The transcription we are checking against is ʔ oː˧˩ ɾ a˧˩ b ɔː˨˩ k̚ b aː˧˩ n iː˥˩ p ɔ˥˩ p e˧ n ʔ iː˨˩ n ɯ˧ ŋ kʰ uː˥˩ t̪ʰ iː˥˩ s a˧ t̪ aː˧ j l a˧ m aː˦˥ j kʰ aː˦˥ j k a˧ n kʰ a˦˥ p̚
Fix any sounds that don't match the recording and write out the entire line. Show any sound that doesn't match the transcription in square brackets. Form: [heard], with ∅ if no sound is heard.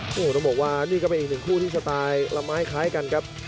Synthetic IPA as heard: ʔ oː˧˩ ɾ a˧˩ b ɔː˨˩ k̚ [w] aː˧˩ n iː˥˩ [k] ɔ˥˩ p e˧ n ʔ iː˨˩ n [ɯ˨˩] ŋ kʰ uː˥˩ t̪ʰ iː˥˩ s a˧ t̪ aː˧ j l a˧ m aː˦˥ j kʰ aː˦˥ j k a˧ n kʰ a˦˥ p̚